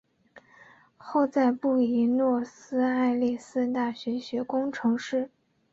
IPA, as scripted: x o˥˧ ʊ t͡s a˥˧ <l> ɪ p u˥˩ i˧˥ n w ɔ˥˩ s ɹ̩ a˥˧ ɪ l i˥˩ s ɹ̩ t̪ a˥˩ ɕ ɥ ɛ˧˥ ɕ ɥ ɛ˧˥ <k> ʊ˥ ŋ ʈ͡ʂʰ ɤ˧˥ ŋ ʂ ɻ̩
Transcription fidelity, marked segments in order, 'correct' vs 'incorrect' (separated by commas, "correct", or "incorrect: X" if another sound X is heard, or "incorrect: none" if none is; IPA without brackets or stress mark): incorrect: none, correct